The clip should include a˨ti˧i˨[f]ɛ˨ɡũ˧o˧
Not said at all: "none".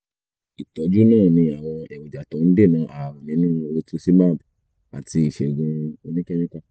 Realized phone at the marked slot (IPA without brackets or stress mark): ʃ